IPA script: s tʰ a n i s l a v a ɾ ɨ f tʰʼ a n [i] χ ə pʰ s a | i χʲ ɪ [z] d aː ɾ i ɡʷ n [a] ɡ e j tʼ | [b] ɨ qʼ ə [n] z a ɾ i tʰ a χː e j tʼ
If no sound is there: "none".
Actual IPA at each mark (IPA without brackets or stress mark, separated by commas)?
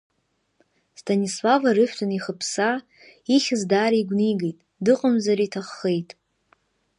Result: i, z, i, d, m